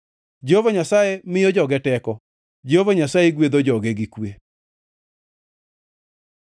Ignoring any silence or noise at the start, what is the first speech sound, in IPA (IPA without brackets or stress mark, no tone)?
d͡ʒ